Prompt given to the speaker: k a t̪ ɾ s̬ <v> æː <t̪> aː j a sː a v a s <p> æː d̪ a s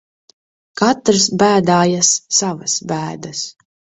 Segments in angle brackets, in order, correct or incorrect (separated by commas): incorrect, incorrect, incorrect